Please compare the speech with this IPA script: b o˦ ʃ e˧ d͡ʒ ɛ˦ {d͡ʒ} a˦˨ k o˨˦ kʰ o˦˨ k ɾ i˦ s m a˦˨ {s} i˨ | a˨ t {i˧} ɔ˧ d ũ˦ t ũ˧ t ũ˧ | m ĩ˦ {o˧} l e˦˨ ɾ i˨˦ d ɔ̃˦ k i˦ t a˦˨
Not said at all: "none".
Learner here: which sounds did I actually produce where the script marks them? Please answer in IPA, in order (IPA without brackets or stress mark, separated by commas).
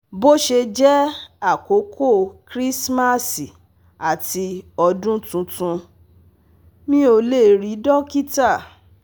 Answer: none, s, i˧, o˧